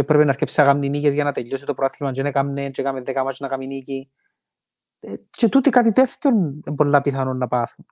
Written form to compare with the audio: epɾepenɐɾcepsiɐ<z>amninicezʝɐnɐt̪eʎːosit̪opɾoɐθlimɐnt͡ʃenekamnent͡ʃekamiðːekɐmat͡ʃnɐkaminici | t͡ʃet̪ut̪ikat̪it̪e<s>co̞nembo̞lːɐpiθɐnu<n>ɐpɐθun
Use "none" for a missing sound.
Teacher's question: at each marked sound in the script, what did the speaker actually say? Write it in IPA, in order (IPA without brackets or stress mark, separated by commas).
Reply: ɣ, θ, nː